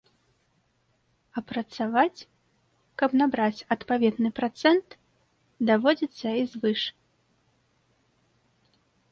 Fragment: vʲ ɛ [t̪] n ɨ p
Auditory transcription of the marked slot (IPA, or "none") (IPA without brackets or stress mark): d̪